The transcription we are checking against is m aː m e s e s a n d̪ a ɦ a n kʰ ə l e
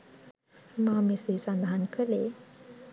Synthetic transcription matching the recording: m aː m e s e s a n d̪ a ɦ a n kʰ ə l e